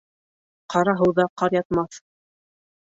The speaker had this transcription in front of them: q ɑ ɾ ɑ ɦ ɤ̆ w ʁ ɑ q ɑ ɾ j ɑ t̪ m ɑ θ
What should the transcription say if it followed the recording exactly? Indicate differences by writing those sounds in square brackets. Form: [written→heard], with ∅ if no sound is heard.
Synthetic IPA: q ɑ ɾ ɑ ɦ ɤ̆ w [ʁ→ð] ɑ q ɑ ɾ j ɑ t̪ m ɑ θ

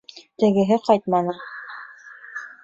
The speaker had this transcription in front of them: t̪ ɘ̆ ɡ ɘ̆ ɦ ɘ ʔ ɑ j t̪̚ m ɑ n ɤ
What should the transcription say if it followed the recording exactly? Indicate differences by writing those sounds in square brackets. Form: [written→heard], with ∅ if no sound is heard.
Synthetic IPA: t̪ ɘ̆ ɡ ɘ̆ ɦ ɘ [ʔ→q] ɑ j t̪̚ m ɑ n ɤ

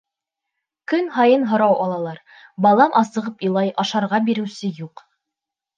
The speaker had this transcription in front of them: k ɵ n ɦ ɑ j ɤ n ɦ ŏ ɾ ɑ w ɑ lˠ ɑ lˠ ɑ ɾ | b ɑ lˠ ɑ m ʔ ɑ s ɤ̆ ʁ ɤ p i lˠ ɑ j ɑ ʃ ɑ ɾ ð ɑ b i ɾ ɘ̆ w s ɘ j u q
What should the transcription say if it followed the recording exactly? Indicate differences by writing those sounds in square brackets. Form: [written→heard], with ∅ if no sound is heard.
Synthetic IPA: k ɵ n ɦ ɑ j ɤ n ɦ ŏ ɾ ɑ w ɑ lˠ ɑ lˠ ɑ ɾ | b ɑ lˠ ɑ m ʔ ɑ s ɤ̆ ʁ ɤ p i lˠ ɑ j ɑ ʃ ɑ ɾ [ð→ʁ] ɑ b i ɾ ɘ̆ w s ɘ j u q

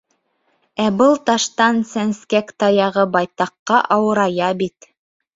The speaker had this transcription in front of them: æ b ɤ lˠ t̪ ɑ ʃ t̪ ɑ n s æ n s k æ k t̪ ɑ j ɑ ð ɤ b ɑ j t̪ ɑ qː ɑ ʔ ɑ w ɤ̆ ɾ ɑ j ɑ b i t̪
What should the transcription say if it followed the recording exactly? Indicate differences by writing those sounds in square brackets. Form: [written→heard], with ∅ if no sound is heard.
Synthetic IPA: æ b ɤ lˠ t̪ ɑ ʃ t̪ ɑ n s æ n s k æ k t̪ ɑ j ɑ [ð→ʁ] ɤ b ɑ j t̪ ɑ qː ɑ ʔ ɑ w ɤ̆ ɾ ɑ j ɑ b i t̪

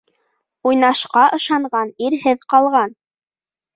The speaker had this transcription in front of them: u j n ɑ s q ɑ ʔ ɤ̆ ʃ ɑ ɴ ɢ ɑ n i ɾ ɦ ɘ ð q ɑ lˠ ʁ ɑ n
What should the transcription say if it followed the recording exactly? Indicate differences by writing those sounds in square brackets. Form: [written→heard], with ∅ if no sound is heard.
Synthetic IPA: u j n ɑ [s→ʃ] q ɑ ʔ ɤ̆ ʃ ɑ ɴ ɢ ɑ n i ɾ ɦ ɘ ð q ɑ lˠ ʁ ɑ n

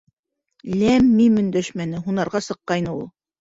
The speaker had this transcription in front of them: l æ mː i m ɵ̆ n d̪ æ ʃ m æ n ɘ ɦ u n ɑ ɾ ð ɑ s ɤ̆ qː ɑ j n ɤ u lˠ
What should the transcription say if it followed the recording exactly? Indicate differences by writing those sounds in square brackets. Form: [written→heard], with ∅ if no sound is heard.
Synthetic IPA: l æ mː i m ɵ̆ n d̪ æ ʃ m æ n ɘ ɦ u n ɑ ɾ [ð→ʁ] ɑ s ɤ̆ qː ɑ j n ɤ u lˠ

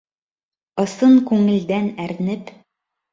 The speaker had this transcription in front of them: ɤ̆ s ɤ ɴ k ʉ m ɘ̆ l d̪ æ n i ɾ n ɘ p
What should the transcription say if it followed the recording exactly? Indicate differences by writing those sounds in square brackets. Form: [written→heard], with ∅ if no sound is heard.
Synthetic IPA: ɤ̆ s ɤ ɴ k ʉ [m→ŋ] ɘ̆ l d̪ æ n [i→æ] ɾ n ɘ p

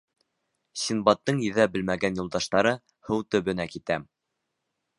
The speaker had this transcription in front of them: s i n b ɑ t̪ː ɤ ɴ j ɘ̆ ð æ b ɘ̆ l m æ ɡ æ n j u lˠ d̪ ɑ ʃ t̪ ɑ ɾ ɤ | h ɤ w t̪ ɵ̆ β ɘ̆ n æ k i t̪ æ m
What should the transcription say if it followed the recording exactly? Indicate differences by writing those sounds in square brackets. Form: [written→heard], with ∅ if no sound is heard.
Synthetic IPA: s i n b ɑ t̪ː ɤ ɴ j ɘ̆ ð æ b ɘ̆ l m æ ɡ æ n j u lˠ d̪ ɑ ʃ t̪ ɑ ɾ ɤ | h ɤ w t̪ ɵ̆ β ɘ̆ n æ k i t̪ æ m

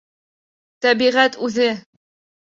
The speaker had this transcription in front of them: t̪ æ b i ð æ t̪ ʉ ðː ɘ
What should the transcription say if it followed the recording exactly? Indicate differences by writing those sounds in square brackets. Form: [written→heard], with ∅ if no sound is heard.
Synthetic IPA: t̪ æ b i [ð→ʁ] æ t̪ ʉ [ðː→ð] ɘ

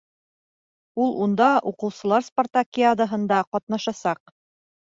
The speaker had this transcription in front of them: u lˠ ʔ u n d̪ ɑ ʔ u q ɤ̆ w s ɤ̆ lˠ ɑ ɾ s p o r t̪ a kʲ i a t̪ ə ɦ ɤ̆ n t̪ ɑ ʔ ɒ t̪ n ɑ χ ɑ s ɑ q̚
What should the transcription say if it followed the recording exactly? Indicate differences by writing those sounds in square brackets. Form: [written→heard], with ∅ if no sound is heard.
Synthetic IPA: u lˠ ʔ u n d̪ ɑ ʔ u q ɤ̆ w s ɤ̆ lˠ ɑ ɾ s p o r t̪ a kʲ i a [t̪→d̪] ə ɦ ɤ̆ n [t̪→d̪] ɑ [ʔ→q] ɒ t̪ n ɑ [χ→ʃ] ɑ s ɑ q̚

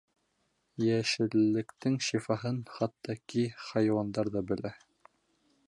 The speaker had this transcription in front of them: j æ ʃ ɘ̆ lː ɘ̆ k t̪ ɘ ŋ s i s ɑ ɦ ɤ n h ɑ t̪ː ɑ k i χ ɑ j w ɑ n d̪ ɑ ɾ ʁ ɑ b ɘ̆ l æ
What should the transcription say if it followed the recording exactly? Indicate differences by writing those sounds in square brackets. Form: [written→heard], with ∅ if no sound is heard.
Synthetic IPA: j æ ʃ ɘ̆ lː ɘ̆ k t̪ ɘ ŋ [s→ʃ] i [s→f] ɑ ɦ ɤ n [h→χ] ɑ t̪ː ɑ k i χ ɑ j w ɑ n d̪ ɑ ɾ [ʁ→ð] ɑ b ɘ̆ l æ

